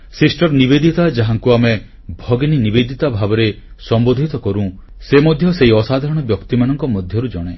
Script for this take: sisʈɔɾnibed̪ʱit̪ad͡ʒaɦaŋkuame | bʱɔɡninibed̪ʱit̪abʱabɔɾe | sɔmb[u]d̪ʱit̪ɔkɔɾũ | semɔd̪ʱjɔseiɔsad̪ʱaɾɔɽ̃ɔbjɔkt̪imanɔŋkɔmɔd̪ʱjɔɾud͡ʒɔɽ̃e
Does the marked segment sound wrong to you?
yes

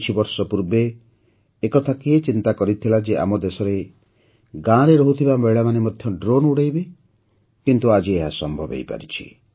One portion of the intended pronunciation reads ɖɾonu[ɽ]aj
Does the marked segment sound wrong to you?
no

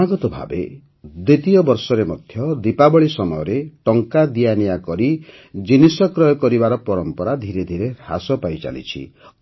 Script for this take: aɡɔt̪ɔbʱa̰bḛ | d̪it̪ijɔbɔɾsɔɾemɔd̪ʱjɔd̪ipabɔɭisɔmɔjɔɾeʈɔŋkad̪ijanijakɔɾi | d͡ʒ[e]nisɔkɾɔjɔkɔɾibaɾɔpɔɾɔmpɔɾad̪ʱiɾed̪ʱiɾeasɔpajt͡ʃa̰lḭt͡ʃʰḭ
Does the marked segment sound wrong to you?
yes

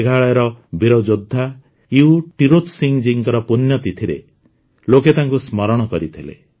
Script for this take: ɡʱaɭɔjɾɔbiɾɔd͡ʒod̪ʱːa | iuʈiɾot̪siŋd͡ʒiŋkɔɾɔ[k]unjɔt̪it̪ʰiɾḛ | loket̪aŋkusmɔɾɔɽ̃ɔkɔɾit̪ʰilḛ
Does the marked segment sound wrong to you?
yes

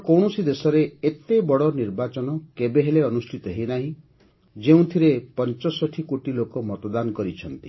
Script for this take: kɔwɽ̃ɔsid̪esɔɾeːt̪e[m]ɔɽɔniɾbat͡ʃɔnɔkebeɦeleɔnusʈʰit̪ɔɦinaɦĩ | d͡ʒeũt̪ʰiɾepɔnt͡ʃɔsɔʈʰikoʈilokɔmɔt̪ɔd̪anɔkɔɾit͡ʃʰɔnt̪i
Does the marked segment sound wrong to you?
yes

